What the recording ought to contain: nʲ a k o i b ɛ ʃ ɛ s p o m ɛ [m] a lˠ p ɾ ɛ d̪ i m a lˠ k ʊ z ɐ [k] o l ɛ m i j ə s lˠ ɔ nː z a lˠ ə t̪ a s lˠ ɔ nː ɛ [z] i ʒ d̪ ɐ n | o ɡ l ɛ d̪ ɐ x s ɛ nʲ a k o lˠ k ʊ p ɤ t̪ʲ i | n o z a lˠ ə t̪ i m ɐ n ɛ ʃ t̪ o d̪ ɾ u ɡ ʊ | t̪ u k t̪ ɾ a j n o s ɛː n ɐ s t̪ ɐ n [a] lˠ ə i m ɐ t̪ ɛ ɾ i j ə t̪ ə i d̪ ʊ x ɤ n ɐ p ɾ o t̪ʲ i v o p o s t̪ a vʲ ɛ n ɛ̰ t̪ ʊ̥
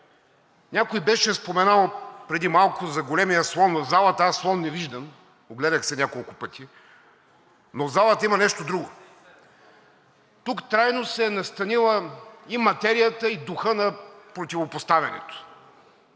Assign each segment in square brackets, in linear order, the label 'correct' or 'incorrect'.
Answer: incorrect, incorrect, incorrect, incorrect

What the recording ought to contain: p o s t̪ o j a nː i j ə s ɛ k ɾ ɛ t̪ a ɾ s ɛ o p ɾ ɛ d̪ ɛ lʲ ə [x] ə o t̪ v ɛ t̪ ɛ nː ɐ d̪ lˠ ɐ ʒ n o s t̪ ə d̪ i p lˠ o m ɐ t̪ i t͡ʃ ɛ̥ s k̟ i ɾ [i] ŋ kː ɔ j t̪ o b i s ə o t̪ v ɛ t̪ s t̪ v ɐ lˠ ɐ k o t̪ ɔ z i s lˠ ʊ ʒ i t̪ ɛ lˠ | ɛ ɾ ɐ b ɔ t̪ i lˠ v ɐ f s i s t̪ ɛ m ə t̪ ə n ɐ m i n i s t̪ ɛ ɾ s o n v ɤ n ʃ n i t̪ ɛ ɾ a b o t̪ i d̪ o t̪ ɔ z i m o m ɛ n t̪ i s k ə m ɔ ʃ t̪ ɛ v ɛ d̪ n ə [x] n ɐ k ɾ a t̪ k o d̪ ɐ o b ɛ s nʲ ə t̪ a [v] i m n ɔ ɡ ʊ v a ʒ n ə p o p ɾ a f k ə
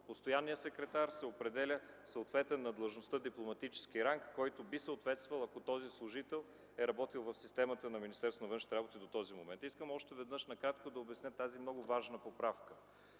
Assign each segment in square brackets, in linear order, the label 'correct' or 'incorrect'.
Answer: incorrect, incorrect, incorrect, incorrect

